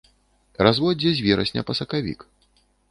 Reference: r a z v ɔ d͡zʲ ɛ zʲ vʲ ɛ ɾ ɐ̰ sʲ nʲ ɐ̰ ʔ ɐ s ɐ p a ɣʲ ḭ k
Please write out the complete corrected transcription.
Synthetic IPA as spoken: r a z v ɔ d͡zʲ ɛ zʲ vʲ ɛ ɾ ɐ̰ sʲ nʲ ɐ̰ p ɐ s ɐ k a vʲ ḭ k